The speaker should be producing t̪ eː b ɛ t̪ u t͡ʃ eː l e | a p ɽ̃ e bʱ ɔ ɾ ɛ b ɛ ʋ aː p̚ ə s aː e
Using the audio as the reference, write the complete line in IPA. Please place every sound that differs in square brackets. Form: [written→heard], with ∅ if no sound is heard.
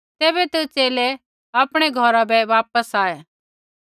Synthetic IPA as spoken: t̪ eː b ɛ t̪ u t͡ʃ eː l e | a p ɽ̃ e [bʱ→ɡʱ] ɔ ɾ [ɛ→a] b ɛ ʋ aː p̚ ə s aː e